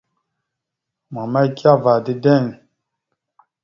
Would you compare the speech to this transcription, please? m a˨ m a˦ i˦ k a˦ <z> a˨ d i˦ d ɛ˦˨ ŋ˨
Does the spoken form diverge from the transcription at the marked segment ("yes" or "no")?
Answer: yes